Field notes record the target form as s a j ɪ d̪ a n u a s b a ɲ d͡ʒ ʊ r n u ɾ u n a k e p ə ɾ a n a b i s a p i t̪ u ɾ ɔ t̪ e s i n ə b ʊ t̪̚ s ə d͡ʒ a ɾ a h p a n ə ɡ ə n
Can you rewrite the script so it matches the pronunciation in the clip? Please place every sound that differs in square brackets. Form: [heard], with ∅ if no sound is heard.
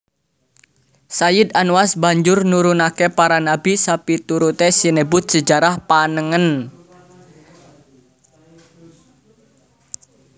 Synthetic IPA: s a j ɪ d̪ a n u a s b a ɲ d͡ʒ ʊ r n u ɾ u n a k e p [a] ɾ a n a b i s a p i t̪ u ɾ [u] t̪ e s i n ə b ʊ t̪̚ s ə d͡ʒ a ɾ a h p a n ə [ŋ] ə n